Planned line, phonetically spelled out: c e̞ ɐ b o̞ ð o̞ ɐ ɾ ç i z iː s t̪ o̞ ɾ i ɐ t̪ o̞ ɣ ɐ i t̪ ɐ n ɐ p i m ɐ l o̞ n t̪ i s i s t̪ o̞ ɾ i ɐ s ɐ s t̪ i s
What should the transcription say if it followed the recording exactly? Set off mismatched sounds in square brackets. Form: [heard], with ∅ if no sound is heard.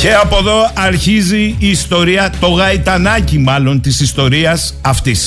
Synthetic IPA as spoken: c e̞ ɐ [p] o̞ ð o̞ ɐ ɾ ç i z iː s t̪ o̞ ɾ i ɐ t̪ o̞ ɣ ɐ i t̪ ɐ n ɐ [c] i m ɐ l o̞ n t̪ i s i s t̪ o̞ ɾ i ɐ s ɐ [f] t̪ i s